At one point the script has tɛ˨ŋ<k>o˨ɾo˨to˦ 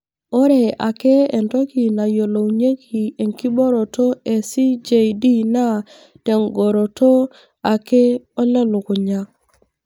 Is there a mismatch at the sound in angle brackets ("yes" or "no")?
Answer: yes